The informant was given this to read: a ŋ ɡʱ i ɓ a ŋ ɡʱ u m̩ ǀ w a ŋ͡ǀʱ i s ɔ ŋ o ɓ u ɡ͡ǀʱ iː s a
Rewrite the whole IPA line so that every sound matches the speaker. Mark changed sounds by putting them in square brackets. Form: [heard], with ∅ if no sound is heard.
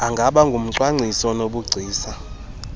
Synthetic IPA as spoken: a ŋ ɡʱ [a] ɓ a ŋ ɡʱ u m̩ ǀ w a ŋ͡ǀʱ i s ɔ [n] o ɓ u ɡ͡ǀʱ iː s a